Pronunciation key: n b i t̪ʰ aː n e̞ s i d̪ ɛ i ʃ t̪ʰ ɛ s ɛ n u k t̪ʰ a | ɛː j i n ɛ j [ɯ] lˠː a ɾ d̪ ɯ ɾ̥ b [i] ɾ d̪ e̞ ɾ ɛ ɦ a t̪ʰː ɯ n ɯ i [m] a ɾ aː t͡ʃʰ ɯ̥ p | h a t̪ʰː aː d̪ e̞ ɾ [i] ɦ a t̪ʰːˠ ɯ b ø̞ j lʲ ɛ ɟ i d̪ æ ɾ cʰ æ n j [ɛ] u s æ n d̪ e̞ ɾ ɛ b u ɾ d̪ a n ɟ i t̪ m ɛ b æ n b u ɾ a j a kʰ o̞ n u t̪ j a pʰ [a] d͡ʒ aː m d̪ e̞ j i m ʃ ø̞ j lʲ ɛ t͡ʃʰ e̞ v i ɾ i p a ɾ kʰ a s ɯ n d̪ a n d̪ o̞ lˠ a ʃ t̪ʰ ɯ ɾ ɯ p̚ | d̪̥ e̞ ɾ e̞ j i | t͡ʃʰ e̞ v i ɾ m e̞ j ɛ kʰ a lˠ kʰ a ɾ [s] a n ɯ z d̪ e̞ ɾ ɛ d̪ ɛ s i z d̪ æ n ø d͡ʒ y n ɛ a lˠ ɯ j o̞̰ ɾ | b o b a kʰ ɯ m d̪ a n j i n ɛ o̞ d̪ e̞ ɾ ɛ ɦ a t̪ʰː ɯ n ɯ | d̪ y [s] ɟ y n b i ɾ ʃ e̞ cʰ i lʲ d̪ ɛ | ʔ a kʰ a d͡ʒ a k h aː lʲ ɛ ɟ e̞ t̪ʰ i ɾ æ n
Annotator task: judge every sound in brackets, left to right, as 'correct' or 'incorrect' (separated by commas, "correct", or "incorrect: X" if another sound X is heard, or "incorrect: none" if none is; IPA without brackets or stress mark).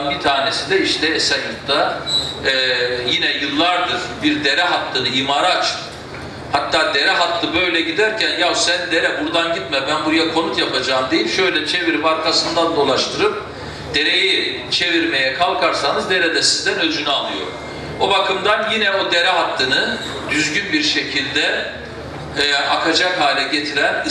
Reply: correct, correct, correct, incorrect: ɛ, incorrect: a, correct, correct, incorrect: z